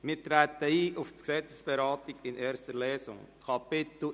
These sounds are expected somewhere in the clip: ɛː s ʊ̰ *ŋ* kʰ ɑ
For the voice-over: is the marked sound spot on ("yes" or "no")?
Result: yes